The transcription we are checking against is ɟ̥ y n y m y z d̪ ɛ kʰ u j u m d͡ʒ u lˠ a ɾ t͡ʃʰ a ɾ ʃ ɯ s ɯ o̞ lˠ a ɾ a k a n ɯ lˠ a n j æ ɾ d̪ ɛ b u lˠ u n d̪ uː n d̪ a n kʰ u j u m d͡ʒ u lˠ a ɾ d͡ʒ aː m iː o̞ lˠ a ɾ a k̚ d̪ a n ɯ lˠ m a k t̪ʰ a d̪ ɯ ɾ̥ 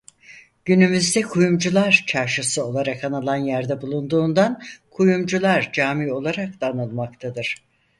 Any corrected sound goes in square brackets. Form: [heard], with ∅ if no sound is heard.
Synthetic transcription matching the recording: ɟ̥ y n y m y z d̪ ɛ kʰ u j u m d͡ʒ u lˠ a ɾ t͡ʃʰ a ɾ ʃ ɯ s ɯ o̞ lˠ a ɾ a k a n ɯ lˠ a n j æ ɾ d̪ ɛ b u lˠ u n d̪ uː n d̪ a n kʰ u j u m d͡ʒ u lˠ a ɾ d͡ʒ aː m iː o̞ lˠ a ɾ a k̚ d̪ a n ɯ lˠ m a k t̪ʰ a d̪ ɯ ɾ̥